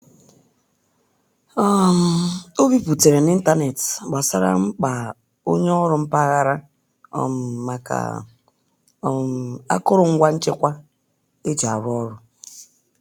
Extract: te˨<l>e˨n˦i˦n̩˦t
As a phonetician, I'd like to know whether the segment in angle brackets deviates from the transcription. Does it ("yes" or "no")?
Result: yes